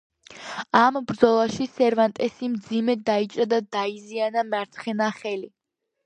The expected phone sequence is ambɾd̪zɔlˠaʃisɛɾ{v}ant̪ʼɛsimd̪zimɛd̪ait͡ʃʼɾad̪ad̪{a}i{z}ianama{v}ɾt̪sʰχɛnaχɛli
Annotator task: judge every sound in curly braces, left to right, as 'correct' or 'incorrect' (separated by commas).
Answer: correct, correct, correct, incorrect